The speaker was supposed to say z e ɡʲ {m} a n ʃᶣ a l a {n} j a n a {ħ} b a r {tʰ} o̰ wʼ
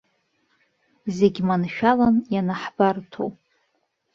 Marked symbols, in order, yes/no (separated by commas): yes, yes, yes, yes